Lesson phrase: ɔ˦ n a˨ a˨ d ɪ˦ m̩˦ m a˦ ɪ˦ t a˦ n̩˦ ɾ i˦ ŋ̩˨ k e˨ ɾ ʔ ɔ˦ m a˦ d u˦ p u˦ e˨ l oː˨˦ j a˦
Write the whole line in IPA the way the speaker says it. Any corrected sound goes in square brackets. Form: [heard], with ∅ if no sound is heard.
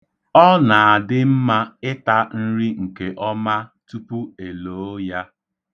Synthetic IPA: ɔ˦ n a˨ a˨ d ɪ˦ m̩˦ m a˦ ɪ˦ t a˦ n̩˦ ɾ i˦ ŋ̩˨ k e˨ [∅] ʔ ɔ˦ m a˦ [t] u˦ p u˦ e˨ l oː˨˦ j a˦

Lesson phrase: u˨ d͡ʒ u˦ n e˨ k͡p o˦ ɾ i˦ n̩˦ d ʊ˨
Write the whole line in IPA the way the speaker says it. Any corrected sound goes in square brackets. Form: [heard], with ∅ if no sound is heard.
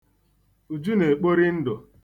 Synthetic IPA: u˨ d͡ʒ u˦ n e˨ k͡p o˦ ɾ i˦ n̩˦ d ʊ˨

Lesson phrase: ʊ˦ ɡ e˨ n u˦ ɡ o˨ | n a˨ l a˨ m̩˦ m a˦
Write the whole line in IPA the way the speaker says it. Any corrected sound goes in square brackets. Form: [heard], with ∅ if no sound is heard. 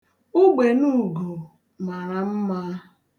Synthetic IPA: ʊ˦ [ɡ͡b] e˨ n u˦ ɡ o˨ | [m] a˨ [ɾ] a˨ m̩˦ m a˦

